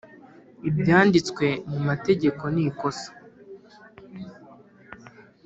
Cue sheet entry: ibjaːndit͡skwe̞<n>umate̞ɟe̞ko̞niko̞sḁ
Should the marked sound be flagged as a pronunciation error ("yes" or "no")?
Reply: yes